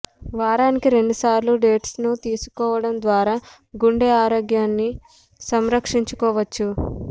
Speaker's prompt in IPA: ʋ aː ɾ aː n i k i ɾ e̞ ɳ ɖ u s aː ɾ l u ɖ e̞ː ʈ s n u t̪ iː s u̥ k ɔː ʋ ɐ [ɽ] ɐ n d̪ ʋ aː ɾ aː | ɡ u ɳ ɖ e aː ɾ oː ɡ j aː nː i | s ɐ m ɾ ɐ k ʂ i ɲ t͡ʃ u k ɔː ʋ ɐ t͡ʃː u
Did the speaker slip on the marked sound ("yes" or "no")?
no